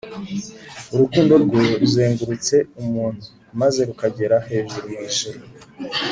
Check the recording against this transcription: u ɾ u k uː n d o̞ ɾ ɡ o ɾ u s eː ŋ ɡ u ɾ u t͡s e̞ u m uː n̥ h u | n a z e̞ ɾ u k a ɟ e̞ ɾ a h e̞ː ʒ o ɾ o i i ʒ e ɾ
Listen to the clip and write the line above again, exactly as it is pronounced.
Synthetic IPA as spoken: u ɾ u k uː n d o̞ ɾ ɡ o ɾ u z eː ŋ ɡ u ɾ u t͡s e̞ u m uː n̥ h u | m a z e̞ ɾ u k a ɟ e̞ ɾ a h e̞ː ʒ u ɾ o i i ʒ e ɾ